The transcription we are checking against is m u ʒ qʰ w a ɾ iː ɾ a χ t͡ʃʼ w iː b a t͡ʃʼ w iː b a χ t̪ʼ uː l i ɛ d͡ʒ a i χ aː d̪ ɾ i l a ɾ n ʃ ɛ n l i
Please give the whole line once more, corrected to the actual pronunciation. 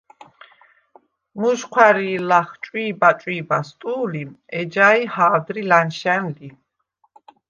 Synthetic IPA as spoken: m u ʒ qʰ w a ɾ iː l a χ t͡ʃʼ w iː b a t͡ʃʼ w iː b a s t̪ʼ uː l i ɛ d͡ʒ a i h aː d̪ ɾ i l a n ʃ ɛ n l i